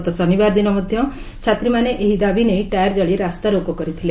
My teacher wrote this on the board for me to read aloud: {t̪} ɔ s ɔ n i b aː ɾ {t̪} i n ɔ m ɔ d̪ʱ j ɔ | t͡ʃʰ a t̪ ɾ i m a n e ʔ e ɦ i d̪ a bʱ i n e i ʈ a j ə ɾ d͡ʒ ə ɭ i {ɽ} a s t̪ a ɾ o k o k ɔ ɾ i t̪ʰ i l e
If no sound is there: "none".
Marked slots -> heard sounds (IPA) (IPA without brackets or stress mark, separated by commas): t̪, d̪, ɾ